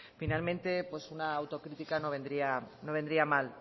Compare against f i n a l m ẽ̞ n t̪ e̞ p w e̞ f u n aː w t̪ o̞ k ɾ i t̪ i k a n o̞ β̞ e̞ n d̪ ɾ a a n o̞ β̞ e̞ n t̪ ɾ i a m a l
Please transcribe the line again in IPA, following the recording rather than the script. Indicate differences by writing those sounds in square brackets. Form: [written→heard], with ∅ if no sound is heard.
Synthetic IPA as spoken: f i n a l m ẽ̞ n t̪ e̞ p w e̞ [f→s] u n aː w t̪ o̞ k ɾ i t̪ i k a n o̞ β̞ e̞ n d̪ ɾ [a→i] a n o̞ β̞ e̞ n [t̪→d̪] ɾ i a m a l